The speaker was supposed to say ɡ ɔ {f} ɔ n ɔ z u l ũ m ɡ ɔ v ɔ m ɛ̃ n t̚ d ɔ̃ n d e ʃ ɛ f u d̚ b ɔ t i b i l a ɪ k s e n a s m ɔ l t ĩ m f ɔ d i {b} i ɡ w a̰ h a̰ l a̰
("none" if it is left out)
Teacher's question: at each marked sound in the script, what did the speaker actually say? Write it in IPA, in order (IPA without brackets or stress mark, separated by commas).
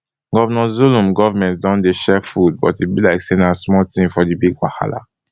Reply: v, b